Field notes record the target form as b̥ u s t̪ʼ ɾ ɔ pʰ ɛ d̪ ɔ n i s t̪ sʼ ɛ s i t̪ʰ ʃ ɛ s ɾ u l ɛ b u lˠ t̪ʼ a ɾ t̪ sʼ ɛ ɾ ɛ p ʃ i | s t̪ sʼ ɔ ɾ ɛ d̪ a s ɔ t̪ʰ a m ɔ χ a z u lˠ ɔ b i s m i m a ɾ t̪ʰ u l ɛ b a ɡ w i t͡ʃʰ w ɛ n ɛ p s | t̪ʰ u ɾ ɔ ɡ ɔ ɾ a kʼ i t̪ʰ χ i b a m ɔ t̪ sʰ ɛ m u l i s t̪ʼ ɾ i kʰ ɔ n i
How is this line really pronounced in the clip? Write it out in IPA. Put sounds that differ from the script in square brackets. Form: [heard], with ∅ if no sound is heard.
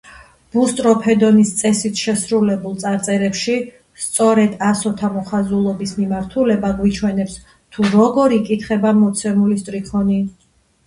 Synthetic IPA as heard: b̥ u s t̪ʼ ɾ ɔ pʰ ɛ d̪ ɔ n i s t̪ sʼ ɛ s i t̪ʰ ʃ ɛ s ɾ u l ɛ b u lˠ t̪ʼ a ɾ t̪ sʼ ɛ ɾ ɛ p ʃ i | s t̪ sʼ ɔ ɾ ɛ d̪ a s ɔ t̪ʰ a m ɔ χ a z u lˠ ɔ b i s m i m a ɾ t̪ʰ u l ɛ b a ɡ w i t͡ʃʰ w ɛ n ɛ p s | t̪ʰ u ɾ ɔ ɡ ɔ ɾ [i] kʼ i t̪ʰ χ [ɛ] b a m ɔ t̪ sʰ ɛ m u l i s t̪ʼ ɾ i kʰ ɔ n i